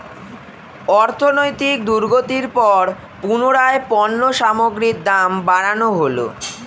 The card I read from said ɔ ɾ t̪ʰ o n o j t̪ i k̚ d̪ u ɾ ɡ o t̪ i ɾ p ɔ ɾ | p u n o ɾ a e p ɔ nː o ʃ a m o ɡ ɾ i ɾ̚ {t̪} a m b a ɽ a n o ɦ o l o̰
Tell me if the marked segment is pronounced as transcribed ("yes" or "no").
no